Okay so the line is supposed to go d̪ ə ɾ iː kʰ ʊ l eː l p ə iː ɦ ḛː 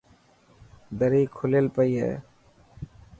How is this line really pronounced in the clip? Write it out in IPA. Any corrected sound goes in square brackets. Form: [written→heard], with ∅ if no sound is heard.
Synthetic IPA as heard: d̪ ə ɾ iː kʰ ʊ l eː l p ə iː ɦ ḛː